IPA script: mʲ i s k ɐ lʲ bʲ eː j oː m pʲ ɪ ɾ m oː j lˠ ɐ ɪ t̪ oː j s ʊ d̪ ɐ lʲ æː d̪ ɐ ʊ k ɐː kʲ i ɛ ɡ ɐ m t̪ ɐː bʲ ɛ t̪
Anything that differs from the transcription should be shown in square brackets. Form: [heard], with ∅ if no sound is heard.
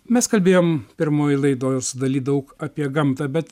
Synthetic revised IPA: mʲ [ɛ] s k ɐ lʲ bʲ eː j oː m pʲ ɪ ɾ m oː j lˠ ɐ ɪ [d̪] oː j s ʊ d̪ ɐ lʲ [iː] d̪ ɐ ʊ k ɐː [pʲ] i ɛ ɡ ɐ m t̪ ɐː bʲ ɛ t̪